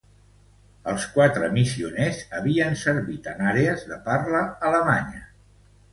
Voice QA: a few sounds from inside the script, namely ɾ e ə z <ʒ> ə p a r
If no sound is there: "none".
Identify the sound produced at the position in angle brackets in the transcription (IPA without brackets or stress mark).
ð